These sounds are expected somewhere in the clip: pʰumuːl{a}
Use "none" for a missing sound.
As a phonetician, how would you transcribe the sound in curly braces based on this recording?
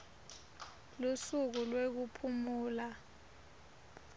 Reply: a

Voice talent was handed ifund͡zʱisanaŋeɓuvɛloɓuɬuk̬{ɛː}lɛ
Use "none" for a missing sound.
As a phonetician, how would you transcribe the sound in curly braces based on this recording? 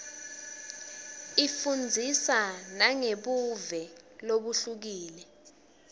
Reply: iː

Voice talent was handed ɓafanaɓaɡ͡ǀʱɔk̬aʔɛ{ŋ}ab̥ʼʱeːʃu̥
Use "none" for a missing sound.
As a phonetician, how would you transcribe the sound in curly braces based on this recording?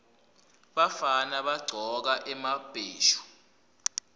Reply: m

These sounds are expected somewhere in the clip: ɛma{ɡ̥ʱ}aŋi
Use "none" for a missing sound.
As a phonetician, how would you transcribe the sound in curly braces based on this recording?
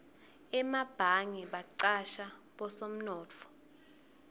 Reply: b̥ʱ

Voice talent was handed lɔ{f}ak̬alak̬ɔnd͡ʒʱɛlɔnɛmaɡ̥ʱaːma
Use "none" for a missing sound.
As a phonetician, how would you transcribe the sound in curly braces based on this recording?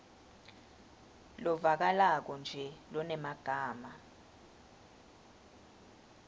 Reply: v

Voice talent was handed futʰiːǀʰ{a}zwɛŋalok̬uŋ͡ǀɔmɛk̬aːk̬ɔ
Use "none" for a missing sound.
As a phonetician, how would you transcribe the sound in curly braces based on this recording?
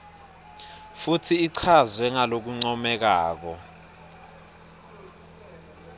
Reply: a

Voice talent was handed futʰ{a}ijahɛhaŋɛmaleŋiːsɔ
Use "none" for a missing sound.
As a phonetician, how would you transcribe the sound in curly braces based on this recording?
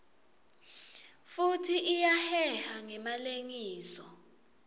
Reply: i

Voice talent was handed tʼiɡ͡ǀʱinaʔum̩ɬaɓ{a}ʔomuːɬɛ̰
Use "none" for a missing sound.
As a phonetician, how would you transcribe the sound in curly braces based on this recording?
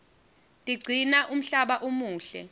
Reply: a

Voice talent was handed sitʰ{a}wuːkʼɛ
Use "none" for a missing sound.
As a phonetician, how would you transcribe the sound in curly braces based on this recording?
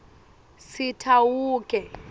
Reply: a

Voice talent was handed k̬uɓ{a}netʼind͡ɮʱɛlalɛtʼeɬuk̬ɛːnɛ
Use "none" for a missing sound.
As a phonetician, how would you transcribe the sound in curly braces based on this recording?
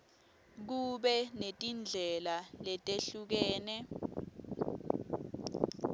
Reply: ɛ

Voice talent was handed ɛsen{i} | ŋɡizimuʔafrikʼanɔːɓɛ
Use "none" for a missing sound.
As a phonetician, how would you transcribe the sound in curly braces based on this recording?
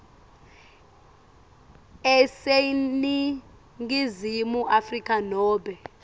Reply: i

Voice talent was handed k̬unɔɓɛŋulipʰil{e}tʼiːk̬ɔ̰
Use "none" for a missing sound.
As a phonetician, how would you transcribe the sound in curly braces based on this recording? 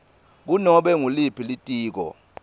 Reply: i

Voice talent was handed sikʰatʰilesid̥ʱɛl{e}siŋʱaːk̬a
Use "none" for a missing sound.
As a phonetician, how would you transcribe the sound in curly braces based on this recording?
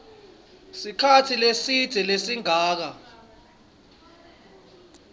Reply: e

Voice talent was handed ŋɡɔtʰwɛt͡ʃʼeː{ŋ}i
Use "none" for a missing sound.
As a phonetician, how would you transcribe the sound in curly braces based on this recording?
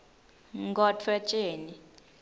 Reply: n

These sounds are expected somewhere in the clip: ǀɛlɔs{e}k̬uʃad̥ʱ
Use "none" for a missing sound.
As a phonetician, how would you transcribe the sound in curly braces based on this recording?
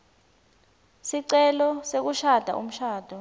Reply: e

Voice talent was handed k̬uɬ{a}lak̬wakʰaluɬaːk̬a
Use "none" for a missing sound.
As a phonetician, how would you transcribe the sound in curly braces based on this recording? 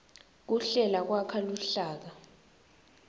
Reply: ɛ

